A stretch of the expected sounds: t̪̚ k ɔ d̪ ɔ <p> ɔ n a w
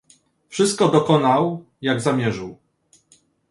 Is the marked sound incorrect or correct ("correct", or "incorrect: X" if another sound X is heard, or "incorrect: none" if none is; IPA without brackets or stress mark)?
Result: incorrect: k